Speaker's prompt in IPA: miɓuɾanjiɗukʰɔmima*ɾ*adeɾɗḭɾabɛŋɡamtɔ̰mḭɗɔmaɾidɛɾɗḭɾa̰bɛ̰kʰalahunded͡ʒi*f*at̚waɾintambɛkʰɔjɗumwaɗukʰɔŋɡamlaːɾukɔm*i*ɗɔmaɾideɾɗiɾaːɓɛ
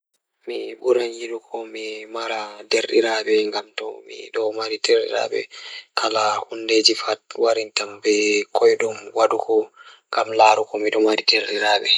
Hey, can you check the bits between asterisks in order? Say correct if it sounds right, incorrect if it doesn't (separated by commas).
correct, correct, correct